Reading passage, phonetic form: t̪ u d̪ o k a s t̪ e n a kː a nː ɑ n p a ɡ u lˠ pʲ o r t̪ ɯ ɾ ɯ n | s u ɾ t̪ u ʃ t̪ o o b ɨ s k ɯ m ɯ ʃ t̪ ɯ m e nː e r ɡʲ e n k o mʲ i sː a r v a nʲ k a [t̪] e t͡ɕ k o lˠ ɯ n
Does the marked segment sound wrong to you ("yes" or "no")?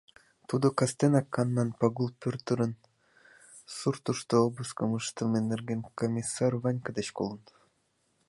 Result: yes